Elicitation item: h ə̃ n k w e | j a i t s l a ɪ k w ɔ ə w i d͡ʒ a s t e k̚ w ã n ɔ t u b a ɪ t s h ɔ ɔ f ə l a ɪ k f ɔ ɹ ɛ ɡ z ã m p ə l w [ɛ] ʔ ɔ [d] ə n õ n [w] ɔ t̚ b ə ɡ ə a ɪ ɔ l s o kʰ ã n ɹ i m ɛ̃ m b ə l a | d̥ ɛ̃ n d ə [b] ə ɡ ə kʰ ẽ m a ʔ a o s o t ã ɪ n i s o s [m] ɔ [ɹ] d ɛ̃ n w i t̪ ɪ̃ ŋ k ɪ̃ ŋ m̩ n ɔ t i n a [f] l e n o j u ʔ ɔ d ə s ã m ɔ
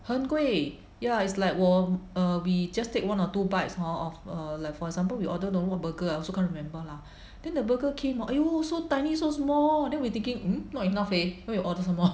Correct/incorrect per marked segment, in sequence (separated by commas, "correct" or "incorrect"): incorrect, correct, correct, correct, correct, incorrect, correct